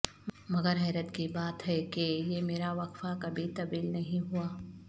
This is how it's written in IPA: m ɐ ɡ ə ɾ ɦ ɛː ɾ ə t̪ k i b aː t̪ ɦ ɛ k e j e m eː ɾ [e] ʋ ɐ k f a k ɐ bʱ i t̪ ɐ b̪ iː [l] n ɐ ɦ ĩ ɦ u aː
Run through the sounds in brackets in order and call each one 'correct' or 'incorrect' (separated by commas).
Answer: incorrect, correct